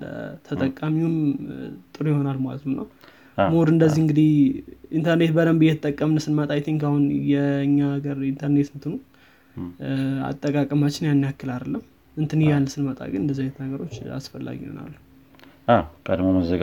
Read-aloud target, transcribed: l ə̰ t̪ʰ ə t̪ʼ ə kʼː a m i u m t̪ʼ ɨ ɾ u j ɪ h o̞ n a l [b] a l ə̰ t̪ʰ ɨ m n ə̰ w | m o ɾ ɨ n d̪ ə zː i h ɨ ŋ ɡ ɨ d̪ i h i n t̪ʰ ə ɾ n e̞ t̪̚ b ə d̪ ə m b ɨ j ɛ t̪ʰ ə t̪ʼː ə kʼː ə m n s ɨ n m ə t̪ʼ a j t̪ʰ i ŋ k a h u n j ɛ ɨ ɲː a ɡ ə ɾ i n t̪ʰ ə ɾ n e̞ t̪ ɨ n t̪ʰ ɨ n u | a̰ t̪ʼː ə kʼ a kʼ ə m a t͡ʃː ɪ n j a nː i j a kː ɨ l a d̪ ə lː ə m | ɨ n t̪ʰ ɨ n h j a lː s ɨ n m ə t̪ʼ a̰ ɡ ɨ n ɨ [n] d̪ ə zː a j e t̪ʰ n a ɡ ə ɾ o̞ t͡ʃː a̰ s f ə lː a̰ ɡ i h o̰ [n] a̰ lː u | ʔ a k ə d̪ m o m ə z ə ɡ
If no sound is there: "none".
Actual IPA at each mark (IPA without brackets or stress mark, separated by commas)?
m, n, n